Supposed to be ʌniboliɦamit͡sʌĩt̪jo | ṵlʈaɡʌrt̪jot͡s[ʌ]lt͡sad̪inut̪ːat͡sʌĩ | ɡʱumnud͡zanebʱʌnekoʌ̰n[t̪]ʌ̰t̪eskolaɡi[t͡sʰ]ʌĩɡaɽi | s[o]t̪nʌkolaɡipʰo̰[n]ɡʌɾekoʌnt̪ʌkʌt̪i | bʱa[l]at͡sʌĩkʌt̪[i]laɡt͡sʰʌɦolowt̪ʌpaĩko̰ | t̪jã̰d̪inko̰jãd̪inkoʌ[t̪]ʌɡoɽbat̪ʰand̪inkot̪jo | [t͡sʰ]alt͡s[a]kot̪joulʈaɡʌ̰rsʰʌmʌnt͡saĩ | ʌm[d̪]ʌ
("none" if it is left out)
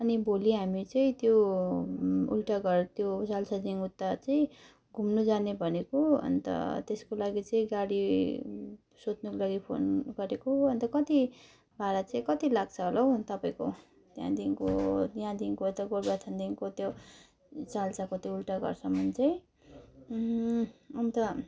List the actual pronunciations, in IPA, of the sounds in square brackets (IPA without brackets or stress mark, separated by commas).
a, t̪, t͡s, o, n, ɾ, i, t̪, t͡s, a, t̪